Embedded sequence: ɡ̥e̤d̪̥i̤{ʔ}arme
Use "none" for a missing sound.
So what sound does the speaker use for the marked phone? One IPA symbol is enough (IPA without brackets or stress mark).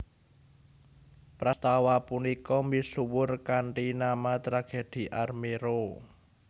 ʔ